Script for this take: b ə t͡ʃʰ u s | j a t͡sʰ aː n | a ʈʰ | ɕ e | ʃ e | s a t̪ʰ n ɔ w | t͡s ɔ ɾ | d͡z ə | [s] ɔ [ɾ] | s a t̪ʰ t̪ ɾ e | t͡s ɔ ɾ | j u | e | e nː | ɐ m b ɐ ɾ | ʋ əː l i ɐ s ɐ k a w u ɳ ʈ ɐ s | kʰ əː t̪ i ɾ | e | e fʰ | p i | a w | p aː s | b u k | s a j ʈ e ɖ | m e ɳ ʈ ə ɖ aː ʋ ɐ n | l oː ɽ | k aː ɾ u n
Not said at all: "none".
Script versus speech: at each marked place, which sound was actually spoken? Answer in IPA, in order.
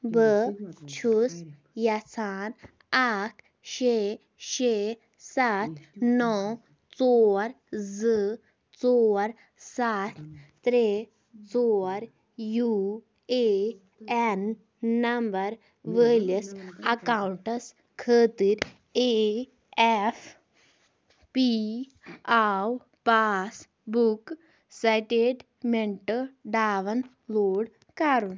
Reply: t͡s, ɾ

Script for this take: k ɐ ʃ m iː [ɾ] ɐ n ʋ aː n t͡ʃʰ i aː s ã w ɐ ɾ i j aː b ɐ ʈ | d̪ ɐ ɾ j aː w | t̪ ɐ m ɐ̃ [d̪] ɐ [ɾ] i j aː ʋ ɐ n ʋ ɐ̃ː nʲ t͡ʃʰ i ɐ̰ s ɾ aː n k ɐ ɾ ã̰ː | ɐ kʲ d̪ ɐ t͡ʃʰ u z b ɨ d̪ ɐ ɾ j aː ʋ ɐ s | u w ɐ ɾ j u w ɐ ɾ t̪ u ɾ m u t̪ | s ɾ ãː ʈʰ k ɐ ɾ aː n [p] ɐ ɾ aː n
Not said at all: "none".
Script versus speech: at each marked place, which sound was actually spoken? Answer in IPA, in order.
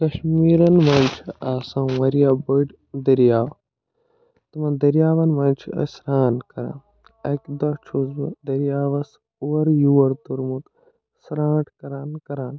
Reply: ɾ, d̪, ɾ, k

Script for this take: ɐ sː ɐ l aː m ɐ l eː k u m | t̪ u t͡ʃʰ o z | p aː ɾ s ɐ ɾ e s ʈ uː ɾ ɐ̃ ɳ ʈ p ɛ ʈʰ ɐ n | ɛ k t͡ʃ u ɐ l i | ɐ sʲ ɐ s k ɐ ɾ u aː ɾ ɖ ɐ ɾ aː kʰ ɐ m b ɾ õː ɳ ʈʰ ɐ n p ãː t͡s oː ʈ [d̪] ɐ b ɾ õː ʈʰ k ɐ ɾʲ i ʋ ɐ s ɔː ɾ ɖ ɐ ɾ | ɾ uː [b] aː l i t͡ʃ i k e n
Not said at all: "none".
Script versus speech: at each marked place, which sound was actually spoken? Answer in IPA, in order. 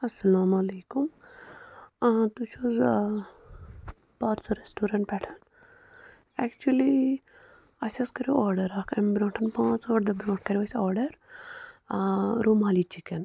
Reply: d̪, m

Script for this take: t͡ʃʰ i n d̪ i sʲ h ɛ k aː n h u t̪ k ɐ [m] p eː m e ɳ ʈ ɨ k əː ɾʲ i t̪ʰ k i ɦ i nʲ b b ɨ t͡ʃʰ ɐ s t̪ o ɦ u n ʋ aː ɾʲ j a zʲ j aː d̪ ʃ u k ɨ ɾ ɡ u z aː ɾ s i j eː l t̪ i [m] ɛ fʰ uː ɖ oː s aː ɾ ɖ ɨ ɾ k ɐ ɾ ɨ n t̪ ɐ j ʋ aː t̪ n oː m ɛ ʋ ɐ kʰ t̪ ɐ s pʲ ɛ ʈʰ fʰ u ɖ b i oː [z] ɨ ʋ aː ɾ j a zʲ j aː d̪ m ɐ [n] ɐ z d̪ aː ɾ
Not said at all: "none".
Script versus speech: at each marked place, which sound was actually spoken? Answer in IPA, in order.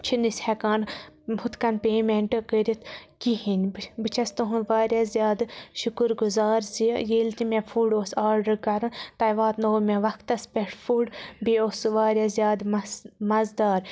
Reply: n, m, s, m

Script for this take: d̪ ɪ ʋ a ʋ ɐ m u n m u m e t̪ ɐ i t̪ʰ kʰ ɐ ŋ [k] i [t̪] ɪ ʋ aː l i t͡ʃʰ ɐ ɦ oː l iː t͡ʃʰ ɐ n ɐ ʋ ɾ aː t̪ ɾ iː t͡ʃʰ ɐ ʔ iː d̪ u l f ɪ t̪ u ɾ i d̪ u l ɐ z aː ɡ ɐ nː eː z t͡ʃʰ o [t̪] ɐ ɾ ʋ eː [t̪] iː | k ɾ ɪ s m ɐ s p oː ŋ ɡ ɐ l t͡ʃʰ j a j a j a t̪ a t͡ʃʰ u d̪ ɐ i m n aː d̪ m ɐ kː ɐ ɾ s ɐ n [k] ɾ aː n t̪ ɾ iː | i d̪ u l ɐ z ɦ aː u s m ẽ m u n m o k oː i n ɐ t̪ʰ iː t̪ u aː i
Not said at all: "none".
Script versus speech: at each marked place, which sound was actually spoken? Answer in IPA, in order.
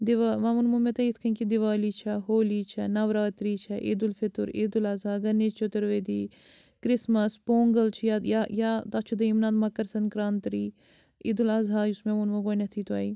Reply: k, d̪, t̪, d̪, k

